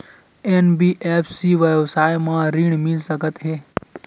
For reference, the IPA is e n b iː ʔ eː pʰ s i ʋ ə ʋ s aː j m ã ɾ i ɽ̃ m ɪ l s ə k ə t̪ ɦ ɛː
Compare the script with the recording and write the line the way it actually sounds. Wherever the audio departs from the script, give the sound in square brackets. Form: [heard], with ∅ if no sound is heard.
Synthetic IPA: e n b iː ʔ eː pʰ s i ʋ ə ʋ s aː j m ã ɾ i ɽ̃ m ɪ l s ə k ə t̪ ɦ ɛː